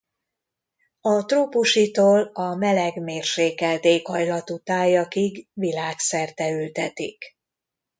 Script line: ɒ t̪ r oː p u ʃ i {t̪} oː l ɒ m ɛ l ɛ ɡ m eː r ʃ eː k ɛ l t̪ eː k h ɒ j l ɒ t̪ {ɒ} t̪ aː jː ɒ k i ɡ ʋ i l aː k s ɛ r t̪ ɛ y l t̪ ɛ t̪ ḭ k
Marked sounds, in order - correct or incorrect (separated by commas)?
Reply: correct, incorrect